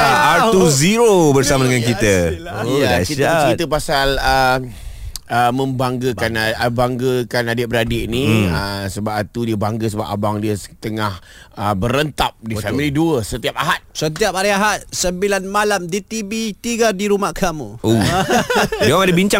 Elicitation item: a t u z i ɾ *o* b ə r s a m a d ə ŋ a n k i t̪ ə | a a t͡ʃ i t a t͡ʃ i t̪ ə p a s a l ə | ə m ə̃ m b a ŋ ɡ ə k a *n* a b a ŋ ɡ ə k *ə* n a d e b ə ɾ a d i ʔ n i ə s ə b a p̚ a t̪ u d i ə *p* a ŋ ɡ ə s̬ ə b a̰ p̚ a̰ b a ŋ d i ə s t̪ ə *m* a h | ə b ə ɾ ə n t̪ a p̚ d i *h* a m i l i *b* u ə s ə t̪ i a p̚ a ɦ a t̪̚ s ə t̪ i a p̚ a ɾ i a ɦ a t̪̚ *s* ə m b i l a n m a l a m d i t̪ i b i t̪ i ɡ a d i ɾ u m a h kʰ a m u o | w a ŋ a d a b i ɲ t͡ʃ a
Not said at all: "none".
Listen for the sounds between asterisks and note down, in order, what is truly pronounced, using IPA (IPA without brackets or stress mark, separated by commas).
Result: o, n, a, b, ŋ, f, d, s